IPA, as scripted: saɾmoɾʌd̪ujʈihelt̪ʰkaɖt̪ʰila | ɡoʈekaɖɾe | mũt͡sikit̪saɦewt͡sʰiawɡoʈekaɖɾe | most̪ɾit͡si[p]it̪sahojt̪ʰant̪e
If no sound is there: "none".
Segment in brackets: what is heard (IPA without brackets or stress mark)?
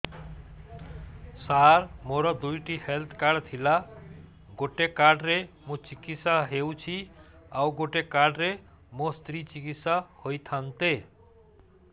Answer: k